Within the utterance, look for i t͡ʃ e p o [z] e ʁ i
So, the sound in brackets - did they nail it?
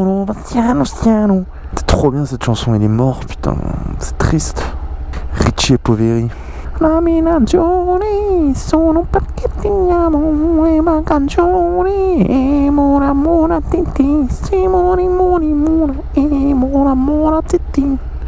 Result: no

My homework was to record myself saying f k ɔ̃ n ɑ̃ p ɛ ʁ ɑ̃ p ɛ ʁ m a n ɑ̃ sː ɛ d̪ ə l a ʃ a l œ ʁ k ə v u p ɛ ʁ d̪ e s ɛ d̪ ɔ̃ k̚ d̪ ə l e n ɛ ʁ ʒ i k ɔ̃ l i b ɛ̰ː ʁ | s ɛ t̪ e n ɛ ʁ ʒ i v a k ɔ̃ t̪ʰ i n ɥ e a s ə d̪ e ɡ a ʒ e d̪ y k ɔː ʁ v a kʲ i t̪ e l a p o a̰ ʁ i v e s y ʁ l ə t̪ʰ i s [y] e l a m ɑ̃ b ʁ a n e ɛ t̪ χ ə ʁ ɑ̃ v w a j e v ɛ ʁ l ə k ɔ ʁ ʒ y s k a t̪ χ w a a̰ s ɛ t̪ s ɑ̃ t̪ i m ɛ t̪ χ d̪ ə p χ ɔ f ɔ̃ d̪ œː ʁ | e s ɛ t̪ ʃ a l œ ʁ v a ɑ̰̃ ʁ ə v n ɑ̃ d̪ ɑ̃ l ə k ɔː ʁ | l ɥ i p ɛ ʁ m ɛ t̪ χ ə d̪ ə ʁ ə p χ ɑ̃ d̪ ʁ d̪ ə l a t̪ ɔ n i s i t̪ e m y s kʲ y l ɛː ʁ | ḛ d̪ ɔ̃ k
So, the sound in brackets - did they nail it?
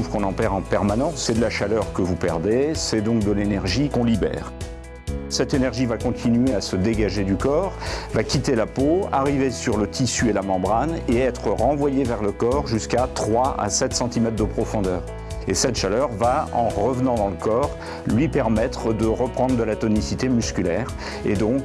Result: yes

